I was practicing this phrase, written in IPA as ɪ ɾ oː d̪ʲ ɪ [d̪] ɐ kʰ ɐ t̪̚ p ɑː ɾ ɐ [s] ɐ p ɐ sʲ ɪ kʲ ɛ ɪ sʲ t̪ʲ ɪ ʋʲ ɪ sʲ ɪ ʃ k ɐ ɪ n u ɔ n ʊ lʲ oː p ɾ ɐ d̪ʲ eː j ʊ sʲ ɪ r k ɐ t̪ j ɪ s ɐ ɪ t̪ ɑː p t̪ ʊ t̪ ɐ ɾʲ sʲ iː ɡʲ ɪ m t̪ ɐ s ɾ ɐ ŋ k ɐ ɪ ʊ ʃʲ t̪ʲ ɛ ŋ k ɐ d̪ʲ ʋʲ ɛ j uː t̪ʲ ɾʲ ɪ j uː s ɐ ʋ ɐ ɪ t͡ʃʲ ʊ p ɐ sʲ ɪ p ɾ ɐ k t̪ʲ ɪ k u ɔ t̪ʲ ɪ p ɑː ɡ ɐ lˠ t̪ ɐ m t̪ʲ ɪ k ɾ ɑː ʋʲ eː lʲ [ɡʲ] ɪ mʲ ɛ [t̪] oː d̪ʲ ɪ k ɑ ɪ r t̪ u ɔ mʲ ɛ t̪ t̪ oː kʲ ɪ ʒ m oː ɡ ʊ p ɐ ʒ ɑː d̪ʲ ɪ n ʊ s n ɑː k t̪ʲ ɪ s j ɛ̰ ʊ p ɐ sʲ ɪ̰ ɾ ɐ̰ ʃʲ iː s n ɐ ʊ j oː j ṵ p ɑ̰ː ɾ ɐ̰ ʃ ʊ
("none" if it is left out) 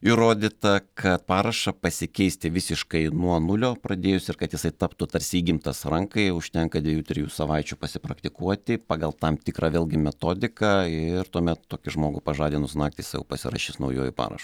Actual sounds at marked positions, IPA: t̪, ʃ, ɡʲ, t̪

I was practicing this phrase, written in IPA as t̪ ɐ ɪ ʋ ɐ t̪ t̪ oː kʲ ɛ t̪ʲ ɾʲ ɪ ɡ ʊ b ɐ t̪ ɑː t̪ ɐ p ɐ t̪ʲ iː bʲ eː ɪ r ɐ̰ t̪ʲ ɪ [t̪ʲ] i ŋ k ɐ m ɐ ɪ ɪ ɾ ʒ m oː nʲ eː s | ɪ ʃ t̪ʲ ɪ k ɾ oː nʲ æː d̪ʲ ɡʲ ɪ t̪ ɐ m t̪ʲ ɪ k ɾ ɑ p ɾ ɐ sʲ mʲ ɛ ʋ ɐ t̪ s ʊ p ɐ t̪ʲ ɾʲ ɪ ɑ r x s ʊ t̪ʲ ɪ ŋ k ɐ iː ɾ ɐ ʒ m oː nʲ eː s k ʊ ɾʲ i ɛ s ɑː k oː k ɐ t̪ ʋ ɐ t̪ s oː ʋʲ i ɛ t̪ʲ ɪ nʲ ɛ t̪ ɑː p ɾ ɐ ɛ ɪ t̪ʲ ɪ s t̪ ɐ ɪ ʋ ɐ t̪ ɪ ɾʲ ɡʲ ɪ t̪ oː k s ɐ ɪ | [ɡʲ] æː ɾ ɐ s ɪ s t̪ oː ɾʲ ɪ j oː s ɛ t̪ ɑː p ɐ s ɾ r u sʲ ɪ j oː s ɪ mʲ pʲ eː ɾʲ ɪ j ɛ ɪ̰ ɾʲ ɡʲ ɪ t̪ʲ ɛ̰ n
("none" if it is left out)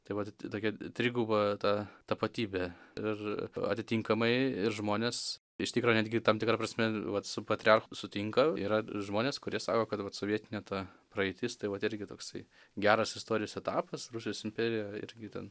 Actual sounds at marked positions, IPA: t̪ʲ, ɡʲ

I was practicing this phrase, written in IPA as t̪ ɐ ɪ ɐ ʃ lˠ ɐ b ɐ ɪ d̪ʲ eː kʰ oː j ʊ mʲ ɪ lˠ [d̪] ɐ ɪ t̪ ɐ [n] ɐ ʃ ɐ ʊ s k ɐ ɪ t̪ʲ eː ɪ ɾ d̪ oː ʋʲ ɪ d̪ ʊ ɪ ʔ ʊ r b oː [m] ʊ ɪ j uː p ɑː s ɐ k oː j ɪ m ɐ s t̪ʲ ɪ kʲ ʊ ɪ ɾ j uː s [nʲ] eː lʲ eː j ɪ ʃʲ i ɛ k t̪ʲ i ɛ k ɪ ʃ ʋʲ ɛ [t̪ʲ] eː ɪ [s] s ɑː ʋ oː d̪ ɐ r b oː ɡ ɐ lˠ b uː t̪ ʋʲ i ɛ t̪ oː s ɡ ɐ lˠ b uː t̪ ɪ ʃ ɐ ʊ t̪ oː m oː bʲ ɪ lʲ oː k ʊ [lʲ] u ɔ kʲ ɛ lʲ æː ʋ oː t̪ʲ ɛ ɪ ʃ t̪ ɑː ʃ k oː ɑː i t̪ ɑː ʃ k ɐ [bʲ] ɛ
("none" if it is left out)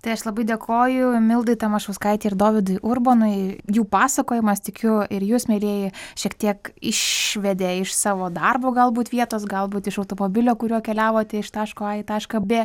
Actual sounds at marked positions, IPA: d̪, m, n, mʲ, d̪ʲ, ʃ, ɾʲ, bʲ

